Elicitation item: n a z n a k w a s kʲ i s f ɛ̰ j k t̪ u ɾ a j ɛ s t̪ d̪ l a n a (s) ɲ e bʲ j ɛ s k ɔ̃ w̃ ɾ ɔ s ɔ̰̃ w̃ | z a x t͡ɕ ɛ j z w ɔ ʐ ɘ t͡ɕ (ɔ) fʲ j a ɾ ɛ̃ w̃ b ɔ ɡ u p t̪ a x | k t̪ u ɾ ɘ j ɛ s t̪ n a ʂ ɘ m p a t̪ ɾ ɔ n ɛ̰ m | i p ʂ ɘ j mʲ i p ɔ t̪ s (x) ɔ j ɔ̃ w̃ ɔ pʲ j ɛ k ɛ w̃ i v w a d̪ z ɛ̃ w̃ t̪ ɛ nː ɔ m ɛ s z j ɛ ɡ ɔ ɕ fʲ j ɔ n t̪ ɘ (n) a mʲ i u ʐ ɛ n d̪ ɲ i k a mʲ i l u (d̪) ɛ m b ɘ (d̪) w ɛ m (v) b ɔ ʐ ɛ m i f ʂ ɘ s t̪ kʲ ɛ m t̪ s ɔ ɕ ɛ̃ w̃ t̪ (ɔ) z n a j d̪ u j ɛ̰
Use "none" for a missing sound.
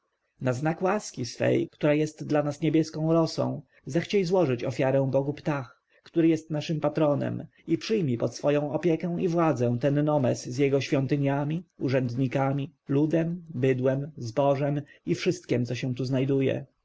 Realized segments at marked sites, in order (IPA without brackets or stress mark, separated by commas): s, ɔ, f, ɲ, d̪, d̪, z, u